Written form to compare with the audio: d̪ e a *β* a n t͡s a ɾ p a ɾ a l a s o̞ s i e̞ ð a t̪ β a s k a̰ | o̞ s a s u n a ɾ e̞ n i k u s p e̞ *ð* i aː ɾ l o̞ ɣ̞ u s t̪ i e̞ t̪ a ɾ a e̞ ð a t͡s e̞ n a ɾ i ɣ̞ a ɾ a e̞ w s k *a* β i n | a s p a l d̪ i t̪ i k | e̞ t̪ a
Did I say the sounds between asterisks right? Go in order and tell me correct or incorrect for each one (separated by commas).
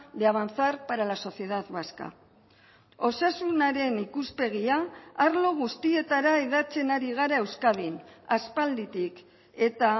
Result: correct, incorrect, correct